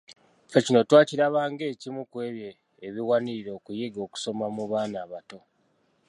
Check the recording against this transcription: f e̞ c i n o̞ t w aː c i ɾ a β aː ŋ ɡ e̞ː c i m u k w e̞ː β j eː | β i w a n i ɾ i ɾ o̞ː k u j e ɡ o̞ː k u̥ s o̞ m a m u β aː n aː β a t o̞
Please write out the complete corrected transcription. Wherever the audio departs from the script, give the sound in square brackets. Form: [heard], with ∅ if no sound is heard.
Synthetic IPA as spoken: f e̞ c i n o̞ t w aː c i ɾ a β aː ŋ ɡ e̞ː c i m u k w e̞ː β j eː | β i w a n i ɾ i ɾ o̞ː k u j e ɡ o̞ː k u̥ s o̞ m a m u β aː n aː β a t o̞